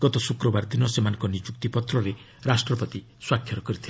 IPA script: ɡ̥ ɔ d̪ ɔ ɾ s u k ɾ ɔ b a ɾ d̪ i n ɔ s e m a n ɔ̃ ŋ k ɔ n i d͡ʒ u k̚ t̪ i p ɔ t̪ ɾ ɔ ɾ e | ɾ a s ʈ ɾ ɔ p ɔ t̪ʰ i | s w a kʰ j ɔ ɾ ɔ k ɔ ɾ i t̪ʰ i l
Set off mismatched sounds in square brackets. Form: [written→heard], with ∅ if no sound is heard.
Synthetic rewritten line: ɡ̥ ɔ [d̪→t̪] ɔ [ɾ→∅] s u k ɾ ɔ b a ɾ d̪ i n ɔ s e m a n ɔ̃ ŋ k ɔ n i d͡ʒ u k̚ t̪ i p ɔ t̪ ɾ ɔ ɾ e | ɾ a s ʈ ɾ ɔ p ɔ [t̪ʰ→t̪] i | s w a kʰ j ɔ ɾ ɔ k ɔ ɾ i t̪ʰ i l